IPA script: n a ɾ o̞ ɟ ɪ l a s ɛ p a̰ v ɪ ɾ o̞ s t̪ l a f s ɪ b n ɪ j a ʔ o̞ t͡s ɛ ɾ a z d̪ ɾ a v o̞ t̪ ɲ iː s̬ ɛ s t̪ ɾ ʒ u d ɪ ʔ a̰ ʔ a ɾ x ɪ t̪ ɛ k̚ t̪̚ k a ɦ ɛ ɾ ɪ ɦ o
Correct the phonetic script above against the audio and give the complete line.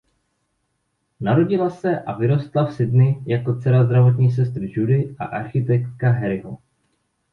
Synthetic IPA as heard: n a ɾ o̞ ɟ ɪ l a s ɛ ʔ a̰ v ɪ ɾ o̞ s t̪ l a f s ɪ d n ɪ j a k o̞ t͡s ɛ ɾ a z d̪ ɾ a v o̞ t̪ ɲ iː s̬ ɛ s t̪ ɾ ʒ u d ɪ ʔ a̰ ʔ a ɾ x ɪ t̪ ɛ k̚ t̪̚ k a ɦ ɛ ɾ ɪ ɦ o